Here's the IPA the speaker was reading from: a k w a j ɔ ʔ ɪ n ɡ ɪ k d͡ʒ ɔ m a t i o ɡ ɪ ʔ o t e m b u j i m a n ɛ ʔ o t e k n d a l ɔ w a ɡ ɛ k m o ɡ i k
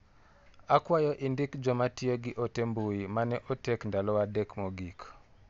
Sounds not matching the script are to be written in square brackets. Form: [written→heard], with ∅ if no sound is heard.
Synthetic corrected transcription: a k w a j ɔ ʔ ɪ n [ɡ→d] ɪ k d͡ʒ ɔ m a t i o ɡ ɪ ʔ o t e m b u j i m a n ɛ ʔ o t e k n d a l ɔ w a [ɡ→d] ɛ k m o ɡ i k